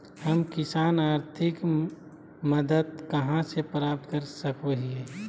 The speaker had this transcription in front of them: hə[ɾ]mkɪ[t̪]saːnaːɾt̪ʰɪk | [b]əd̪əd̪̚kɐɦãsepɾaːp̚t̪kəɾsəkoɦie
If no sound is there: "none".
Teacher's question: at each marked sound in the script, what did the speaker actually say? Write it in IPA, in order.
none, none, m

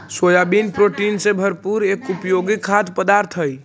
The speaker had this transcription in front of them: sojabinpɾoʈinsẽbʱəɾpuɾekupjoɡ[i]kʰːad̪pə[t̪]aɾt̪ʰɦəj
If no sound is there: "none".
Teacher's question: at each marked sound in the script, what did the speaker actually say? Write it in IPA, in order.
i, d̪

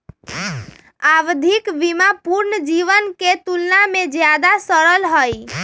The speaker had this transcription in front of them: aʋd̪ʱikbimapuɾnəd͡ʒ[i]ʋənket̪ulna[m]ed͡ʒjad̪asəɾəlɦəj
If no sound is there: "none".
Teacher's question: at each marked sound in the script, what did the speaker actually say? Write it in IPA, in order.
i, m

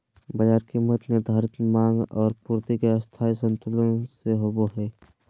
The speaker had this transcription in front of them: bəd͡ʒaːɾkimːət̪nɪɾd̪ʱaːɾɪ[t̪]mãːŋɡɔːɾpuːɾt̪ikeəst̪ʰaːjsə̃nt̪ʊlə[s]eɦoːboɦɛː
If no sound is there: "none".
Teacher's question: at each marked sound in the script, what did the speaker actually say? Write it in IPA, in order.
t̪, s

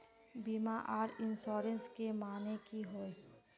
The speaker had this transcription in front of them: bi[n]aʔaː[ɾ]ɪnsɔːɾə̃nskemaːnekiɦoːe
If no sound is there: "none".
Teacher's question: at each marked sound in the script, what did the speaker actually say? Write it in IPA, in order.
m, ɾ

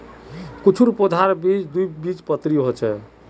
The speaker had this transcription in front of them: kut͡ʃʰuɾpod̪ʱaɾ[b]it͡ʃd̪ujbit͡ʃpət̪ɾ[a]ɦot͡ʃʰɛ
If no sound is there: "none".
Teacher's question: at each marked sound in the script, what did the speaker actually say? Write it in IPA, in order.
b, i

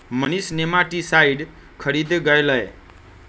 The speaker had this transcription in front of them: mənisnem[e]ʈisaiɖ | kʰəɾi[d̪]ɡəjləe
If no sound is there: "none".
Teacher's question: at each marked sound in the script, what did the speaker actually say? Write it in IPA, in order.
a, d̪

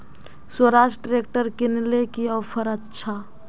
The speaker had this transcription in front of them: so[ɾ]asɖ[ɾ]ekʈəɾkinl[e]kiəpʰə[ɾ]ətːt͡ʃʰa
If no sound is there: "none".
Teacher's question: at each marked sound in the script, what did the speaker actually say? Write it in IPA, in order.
ɾ, ɾ, e, ɾ

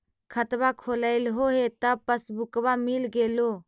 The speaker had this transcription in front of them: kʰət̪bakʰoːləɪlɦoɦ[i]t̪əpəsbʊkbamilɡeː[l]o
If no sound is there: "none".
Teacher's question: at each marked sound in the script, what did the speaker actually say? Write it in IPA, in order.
e, l

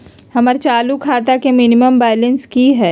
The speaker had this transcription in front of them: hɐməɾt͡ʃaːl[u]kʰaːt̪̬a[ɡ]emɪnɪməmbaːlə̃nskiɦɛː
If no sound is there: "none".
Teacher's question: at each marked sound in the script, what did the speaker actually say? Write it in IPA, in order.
u, k

